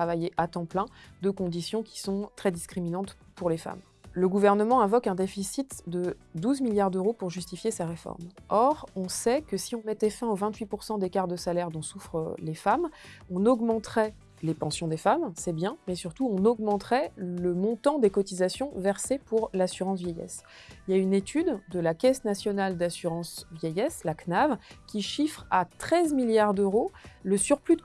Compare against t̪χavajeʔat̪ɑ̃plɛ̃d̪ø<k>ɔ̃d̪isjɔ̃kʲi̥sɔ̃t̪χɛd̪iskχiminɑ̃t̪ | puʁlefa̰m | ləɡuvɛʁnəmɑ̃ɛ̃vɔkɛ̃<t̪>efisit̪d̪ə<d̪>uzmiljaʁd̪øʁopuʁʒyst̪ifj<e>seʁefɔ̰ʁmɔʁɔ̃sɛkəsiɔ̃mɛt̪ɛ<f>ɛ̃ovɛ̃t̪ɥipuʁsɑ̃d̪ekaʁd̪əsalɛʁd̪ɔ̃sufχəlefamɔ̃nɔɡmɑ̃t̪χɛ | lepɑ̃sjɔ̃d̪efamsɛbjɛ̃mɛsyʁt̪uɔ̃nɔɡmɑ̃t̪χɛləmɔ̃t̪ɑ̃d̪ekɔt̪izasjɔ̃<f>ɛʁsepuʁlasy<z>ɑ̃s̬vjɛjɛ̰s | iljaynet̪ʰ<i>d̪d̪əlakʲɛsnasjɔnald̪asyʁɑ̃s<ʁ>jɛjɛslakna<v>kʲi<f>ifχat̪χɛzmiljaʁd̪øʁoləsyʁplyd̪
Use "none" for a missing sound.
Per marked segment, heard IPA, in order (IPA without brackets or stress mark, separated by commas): k, d̪, d̪, e, f, v, ʁ, y, v, v, ʃ